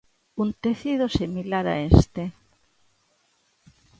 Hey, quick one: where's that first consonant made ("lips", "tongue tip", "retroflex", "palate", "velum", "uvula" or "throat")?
tongue tip